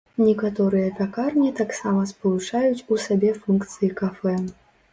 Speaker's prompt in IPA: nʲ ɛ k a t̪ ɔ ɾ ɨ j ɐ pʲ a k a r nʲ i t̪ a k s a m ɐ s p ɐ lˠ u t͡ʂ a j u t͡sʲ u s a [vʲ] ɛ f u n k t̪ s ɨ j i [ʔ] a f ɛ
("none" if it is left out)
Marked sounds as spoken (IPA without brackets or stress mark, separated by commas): bʲ, k